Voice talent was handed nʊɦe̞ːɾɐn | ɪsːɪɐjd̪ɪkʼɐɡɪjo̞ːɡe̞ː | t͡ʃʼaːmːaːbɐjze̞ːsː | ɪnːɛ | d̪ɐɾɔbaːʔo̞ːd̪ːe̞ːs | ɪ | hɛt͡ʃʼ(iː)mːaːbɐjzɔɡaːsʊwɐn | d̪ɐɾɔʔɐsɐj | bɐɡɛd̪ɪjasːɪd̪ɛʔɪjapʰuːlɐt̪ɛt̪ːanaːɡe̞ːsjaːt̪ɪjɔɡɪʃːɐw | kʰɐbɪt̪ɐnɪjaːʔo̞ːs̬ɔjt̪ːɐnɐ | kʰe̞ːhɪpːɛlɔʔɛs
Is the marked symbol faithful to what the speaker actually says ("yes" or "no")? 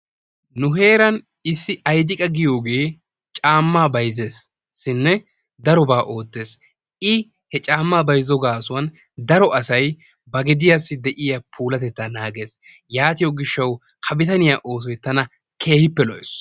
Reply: no